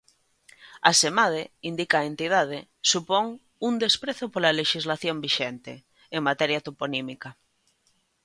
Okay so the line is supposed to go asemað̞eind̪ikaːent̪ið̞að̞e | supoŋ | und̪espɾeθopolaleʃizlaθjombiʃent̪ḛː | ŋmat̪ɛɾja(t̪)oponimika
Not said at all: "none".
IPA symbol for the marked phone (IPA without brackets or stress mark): t̪